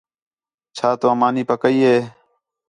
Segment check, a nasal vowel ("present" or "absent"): absent